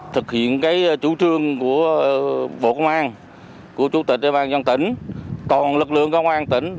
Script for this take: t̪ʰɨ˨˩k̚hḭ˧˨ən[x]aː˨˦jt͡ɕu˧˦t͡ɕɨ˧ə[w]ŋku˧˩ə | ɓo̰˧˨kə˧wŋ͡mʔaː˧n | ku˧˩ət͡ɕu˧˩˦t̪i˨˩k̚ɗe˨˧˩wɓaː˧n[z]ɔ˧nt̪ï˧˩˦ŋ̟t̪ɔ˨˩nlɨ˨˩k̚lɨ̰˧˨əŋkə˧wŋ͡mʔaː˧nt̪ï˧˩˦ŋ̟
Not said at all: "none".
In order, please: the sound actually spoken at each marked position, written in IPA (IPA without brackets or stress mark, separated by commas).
k, none, z